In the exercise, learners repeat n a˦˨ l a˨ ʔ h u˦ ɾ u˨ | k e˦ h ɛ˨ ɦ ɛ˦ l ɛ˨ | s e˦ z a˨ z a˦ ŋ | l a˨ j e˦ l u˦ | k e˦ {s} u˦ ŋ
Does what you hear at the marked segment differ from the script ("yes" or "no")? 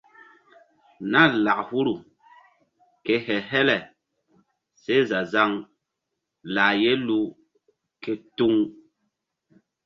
yes